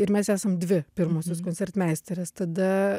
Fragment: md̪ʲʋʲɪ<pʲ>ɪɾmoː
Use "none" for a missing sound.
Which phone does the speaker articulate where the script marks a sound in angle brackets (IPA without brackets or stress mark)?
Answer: pʲ